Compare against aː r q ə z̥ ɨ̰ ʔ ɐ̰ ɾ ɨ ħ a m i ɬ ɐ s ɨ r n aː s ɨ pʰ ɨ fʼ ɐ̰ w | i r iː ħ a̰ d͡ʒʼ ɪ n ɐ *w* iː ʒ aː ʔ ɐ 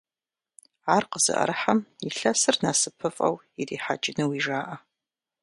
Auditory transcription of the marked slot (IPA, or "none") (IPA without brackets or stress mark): w